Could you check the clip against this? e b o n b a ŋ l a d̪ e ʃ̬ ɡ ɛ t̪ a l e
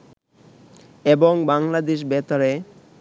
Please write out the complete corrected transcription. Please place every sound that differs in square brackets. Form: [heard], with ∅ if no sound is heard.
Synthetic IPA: e b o [ŋ] b a ŋ l a d̪ e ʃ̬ [b] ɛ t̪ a [ɾ] e